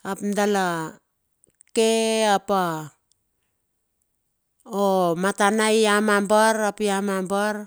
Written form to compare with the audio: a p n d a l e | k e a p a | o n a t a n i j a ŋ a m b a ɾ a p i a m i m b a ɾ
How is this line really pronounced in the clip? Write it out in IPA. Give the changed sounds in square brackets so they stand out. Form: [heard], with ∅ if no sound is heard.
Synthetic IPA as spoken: a p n d a l [a] | k e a p a | o [m] a t a n [a] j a [m] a m b a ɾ a p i a m [a] m b a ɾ